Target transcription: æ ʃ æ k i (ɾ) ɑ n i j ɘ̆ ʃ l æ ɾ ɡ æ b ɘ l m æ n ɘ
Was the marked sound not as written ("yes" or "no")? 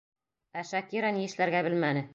no